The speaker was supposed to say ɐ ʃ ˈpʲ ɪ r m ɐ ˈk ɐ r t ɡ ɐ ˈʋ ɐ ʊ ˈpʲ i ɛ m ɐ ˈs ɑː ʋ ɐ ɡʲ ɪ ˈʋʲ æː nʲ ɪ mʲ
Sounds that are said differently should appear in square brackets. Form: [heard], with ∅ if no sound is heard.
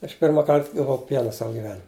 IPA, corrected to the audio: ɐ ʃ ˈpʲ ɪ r m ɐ ˈk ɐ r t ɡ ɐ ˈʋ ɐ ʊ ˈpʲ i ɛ [n] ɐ ˈs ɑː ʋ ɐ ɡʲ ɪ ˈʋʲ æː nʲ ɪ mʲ